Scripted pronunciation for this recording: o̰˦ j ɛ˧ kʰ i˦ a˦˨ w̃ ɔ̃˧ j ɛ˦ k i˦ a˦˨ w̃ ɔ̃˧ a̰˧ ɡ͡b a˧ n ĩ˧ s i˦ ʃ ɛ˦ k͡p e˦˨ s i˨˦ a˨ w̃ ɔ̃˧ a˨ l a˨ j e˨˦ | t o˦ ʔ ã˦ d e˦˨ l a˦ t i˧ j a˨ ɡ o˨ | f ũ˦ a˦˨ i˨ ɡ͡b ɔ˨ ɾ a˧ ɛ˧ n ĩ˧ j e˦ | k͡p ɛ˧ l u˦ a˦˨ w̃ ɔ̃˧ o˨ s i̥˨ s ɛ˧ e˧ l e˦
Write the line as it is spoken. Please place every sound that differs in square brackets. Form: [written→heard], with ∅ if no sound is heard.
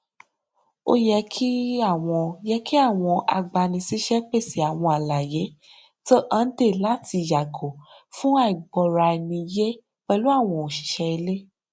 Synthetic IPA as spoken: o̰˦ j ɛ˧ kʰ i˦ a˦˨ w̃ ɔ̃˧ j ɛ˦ k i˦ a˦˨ w̃ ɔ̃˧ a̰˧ ɡ͡b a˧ n ĩ˧ s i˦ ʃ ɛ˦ k͡p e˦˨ s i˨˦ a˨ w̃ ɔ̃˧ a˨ l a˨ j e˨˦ | t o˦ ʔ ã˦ d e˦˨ l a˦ t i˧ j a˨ ɡ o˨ | f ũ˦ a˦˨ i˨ ɡ͡b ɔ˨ ɾ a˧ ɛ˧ n ĩ˧ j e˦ | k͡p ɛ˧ l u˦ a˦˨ w̃ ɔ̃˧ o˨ [s→ʃ] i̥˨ [s→ʃ] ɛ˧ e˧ l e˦

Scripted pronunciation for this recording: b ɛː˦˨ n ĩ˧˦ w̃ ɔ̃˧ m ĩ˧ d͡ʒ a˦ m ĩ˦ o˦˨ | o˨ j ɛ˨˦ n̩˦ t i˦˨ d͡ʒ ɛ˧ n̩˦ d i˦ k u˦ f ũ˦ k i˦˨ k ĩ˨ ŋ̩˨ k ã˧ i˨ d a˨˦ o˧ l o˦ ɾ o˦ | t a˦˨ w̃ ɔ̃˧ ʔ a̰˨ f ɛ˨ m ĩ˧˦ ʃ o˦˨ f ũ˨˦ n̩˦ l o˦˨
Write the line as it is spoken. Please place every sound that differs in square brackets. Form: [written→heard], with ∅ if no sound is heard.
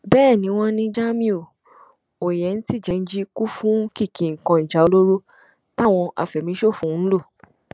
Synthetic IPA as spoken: b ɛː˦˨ n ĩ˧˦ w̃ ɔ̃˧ [m→n] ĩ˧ d͡ʒ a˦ m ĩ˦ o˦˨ | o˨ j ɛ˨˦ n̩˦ t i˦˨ d͡ʒ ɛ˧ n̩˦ [d→d͡ʒ] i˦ k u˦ f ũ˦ k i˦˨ k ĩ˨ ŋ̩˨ k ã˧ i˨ [d→d͡ʒ] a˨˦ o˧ l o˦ ɾ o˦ | t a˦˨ w̃ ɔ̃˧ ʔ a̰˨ f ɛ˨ m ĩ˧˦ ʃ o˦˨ f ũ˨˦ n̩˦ l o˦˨

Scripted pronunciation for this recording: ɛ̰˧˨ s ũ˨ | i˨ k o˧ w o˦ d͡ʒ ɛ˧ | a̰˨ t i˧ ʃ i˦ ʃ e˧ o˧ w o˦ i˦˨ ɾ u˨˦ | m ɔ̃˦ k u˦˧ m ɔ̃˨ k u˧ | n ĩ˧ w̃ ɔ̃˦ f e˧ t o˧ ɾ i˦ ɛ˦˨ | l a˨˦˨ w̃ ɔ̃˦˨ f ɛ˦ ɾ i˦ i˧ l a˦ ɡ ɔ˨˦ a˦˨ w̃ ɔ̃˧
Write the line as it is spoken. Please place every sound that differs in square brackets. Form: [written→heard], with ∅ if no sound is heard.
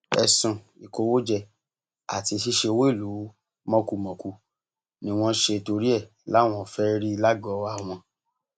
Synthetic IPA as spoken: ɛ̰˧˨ s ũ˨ | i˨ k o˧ w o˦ d͡ʒ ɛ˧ | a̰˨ t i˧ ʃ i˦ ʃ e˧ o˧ w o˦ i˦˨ [ɾ→l] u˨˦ | m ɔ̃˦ k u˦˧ m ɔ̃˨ k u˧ | n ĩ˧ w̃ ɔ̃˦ [f→ʃ] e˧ t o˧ ɾ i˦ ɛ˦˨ | l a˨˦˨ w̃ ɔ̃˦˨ f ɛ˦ ɾ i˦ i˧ l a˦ ɡ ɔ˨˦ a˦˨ w̃ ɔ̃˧

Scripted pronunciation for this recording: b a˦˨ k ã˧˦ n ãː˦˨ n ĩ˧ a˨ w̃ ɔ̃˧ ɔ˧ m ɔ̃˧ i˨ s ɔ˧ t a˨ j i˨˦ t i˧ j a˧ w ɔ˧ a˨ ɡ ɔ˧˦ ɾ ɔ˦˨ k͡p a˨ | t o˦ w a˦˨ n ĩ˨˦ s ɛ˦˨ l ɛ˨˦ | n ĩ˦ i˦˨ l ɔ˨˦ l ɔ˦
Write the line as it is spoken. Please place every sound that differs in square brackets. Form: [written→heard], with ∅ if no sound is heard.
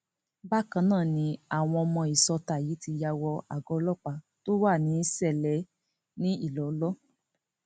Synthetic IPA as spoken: b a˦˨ k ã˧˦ n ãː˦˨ n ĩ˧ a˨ w̃ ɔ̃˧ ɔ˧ m ɔ̃˧ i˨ s ɔ˧ t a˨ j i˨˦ t i˧ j a˧ w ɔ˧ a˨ ɡ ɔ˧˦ [ɾ→l] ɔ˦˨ k͡p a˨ | t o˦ w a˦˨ n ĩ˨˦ s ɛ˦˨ l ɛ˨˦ | n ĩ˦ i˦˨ l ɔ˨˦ l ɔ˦

